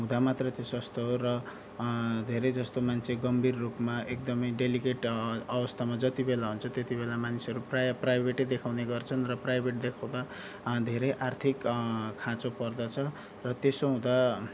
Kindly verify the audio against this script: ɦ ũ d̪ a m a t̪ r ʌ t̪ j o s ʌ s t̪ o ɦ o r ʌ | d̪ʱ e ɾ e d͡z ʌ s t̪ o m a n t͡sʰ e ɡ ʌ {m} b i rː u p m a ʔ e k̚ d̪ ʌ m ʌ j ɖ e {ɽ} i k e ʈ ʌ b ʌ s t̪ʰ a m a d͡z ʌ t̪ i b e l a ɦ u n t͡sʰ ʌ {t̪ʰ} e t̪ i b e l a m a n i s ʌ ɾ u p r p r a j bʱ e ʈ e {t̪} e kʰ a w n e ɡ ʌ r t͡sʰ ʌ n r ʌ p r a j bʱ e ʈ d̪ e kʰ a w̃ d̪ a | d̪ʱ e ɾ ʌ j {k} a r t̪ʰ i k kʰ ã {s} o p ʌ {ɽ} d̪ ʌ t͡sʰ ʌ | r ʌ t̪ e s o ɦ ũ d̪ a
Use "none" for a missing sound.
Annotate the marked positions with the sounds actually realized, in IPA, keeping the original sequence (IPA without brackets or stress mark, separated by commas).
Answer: m, l, t̪, d̪, ʔ, t͡s, r